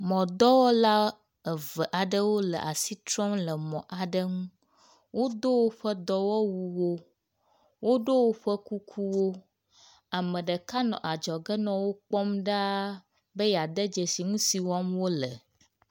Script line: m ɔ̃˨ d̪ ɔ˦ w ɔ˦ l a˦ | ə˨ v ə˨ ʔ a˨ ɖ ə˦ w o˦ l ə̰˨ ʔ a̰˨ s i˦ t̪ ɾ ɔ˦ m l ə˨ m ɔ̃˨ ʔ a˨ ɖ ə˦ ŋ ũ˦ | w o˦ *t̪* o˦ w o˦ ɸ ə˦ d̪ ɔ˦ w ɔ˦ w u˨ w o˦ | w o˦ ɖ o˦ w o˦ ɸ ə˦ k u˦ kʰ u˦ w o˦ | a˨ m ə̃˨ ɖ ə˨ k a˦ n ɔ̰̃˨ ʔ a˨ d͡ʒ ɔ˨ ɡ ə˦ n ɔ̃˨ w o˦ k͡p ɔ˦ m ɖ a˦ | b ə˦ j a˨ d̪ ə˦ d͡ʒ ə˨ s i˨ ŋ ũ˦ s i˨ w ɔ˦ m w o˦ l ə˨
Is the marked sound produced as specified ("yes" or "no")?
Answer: no